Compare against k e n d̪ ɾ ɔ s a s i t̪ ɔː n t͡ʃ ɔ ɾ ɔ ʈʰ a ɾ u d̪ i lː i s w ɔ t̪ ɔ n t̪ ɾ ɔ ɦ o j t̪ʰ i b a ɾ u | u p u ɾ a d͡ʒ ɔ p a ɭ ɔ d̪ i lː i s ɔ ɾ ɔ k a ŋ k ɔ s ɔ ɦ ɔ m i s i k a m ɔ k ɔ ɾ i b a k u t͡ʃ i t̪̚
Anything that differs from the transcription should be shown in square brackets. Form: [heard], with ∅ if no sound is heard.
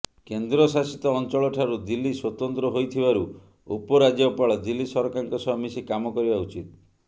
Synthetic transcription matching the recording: k e n d̪ ɾ ɔ s a s i t̪ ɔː n t͡ʃ ɔ [ɭ] ɔ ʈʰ a ɾ u d̪ i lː i s w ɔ t̪ ɔ n t̪ ɾ ɔ ɦ o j t̪ʰ i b a ɾ u | u p [ɔ] ɾ a d͡ʒ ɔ p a ɭ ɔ d̪ i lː i s ɔ ɾ ɔ k a ŋ k ɔ s ɔ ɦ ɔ m i s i k a m ɔ k ɔ ɾ i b a [∅] u t͡ʃ i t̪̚